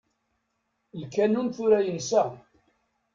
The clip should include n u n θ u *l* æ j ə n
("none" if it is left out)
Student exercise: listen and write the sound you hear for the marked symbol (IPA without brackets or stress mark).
ɾ